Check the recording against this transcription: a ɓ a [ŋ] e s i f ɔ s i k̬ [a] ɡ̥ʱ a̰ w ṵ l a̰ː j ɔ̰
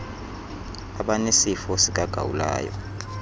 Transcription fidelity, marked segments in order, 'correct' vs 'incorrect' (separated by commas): incorrect, correct